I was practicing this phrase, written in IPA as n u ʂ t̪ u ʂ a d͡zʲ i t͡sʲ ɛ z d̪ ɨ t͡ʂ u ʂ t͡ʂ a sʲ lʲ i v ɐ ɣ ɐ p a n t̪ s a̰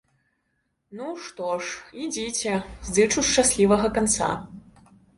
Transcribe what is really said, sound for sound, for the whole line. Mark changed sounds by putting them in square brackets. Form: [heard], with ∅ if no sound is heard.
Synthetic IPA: n u ʂ t̪ [ɔ] ʂ [i] d͡zʲ i t͡sʲ ɛ z d̪ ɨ t͡ʂ u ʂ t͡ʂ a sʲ lʲ i v ɐ ɣ ɐ [k] a n t̪ s a̰